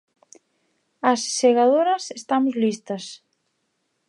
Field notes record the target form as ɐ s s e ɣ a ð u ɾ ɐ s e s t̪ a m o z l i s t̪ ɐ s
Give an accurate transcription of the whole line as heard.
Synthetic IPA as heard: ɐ s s e ɣ a ð o ɾ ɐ s e s t̪ a m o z l i s t̪ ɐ s

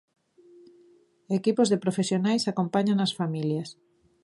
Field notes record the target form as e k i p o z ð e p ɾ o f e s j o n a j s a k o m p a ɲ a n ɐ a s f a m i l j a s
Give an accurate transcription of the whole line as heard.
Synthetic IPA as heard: e k i p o z ð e p ɾ o f e s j o n a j s a k o m p a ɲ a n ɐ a s f a m i l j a s

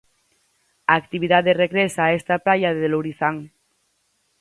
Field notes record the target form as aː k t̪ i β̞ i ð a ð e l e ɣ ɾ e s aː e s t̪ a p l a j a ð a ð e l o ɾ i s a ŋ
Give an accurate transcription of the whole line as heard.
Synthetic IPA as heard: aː k t̪ i β̞ i ð a ð e r e ɣ ɾ e s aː e s t̪ a p l a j a ð e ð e l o ɾ i θ a ŋ

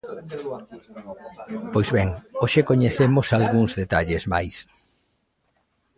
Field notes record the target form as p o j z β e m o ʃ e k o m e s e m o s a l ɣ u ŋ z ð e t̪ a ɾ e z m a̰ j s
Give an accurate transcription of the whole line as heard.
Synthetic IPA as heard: p o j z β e ŋ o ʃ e k o ɲ e θ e m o s a l ɣ u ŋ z ð e t̪ a ʎ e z m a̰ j s

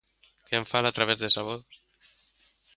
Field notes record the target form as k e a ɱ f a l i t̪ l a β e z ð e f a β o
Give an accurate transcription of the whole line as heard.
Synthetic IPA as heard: k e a ɱ f a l a t̪ ɾ a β e z ð e s a β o

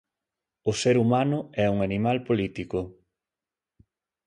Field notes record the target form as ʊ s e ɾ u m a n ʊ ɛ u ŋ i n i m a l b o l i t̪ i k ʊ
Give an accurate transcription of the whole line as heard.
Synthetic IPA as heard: ʊ s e ɾ u m a n ʊ ɛ u ŋ a n i m a l p o l i t̪ i k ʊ

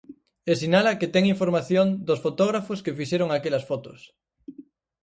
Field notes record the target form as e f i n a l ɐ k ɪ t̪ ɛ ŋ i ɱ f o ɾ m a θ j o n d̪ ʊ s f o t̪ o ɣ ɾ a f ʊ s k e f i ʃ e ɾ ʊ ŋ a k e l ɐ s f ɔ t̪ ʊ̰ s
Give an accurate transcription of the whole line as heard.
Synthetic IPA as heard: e s i n a l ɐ k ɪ t̪ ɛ ŋ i ɱ f o ɾ m a θ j o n d̪ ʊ s f o t̪ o ɣ ɾ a f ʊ s k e f i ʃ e ɾ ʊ ŋ a k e l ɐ s f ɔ t̪ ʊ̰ s

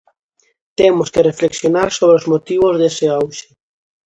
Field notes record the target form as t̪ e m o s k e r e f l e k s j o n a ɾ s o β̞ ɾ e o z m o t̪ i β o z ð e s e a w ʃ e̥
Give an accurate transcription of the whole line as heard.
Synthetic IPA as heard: t̪ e m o s k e r e f l e k s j o n a ɾ s o β̞ ɾ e o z m o t̪ i β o z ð e s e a w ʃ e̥

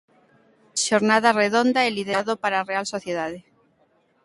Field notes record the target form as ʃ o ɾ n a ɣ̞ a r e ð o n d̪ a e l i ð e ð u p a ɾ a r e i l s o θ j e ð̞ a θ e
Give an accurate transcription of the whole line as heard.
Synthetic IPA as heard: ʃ o ɾ n a ð̞ a r e ð o n d̪ a e l i ð e ð o p a ɾ a r e a l s o θ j e ð̞ a ð e

